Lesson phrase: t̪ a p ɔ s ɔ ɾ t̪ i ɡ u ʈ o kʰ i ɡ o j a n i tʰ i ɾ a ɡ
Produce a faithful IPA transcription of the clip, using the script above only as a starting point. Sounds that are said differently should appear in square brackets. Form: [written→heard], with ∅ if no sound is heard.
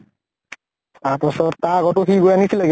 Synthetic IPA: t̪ a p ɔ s ɔ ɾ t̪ [i→a] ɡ [u→ɔ] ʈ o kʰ i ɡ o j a n i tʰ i [ɾ→l] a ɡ